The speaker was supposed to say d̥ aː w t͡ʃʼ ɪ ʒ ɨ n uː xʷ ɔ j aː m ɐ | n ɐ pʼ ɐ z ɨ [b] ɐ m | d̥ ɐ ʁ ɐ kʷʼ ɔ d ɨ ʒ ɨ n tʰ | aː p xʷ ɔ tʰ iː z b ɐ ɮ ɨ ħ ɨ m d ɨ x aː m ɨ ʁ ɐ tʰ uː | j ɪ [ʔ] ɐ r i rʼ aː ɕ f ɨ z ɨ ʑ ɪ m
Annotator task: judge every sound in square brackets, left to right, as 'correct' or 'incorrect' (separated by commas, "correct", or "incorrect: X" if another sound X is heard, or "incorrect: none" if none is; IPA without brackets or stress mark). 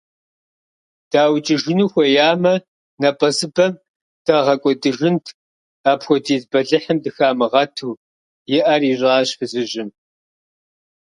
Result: correct, correct